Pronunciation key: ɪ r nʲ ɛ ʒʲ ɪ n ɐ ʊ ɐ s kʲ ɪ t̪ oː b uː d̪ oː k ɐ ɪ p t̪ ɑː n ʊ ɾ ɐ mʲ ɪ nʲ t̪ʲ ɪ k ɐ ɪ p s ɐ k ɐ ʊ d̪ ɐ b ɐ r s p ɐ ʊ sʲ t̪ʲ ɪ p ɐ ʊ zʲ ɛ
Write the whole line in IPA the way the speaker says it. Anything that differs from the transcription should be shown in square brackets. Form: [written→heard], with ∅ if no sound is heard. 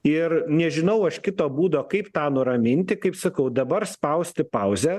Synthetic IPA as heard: ɪ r nʲ ɛ ʒʲ ɪ n ɐ ʊ ɐ [s→ʃ] kʲ ɪ t̪ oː b uː d̪ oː k ɐ ɪ p t̪ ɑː n ʊ ɾ ɐ mʲ ɪ nʲ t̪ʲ ɪ k ɐ ɪ p s ɐ k ɐ ʊ d̪ ɐ b ɐ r s p ɐ ʊ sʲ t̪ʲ ɪ p ɐ ʊ zʲ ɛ